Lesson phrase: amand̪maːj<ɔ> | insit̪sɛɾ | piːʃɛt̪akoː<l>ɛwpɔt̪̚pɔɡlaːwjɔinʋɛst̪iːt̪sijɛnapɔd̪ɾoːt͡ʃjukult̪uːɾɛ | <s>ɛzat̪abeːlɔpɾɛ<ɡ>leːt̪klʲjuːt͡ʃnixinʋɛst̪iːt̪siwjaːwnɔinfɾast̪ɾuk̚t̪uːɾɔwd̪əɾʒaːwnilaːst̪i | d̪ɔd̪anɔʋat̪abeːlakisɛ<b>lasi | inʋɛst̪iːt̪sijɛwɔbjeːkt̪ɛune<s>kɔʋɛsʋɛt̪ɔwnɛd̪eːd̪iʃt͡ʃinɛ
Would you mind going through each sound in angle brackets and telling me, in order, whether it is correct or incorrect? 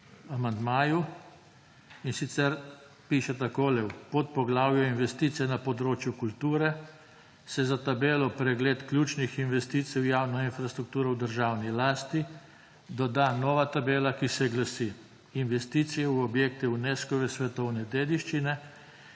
incorrect: u, correct, correct, correct, incorrect: ɡ, correct

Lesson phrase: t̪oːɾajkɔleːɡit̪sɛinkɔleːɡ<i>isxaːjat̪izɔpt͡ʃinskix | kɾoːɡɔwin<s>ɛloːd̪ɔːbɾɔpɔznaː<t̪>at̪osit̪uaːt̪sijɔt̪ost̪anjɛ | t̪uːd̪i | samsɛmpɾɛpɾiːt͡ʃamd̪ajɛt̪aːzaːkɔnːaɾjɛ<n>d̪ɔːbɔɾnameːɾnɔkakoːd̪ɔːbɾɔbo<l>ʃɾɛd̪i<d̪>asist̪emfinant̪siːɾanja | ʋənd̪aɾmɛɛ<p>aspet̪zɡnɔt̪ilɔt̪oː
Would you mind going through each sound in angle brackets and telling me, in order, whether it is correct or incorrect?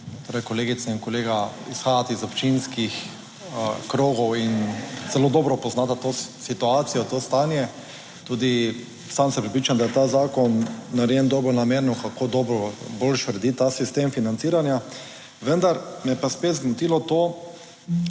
incorrect: a, incorrect: z, correct, correct, correct, incorrect: t̪, correct

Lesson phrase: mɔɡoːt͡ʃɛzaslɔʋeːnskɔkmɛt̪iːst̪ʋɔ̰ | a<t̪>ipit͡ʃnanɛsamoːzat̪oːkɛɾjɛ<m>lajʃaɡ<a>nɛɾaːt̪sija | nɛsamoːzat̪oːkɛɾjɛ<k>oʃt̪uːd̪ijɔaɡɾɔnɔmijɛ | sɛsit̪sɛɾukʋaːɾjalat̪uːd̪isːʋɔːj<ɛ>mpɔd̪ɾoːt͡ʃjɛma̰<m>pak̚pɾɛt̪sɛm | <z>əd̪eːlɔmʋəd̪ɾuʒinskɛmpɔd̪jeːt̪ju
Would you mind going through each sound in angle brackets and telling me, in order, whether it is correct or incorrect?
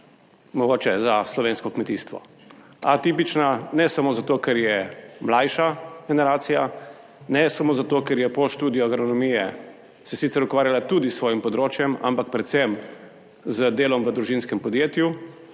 correct, correct, incorrect: ɛ, incorrect: p, incorrect: i, correct, correct

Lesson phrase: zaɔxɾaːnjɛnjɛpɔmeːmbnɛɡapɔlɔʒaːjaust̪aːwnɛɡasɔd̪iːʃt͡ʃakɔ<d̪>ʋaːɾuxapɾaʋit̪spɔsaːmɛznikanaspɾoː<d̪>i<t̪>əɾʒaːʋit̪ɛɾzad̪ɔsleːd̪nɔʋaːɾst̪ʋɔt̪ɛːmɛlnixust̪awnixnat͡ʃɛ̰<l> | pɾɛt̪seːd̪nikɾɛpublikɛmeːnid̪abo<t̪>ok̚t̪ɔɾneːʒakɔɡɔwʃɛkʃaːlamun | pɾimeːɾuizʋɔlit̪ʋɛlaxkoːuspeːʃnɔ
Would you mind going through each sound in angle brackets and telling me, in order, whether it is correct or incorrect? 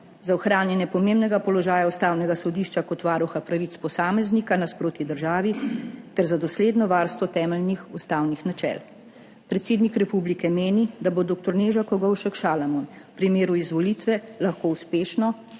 incorrect: t̪, incorrect: t̪, incorrect: d̪, correct, incorrect: d̪

